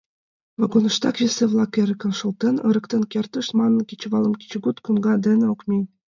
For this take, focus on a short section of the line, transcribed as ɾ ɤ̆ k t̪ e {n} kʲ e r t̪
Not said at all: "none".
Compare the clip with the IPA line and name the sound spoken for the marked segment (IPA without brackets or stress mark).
n